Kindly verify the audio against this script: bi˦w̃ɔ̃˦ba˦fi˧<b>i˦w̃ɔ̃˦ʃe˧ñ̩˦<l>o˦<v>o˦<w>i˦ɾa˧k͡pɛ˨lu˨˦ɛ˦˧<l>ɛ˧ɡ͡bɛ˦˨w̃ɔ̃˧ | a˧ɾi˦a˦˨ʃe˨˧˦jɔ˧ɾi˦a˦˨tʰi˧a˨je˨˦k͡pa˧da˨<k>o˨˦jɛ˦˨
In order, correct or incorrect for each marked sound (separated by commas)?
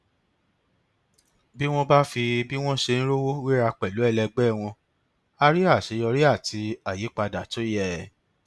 correct, incorrect, incorrect, correct, correct, incorrect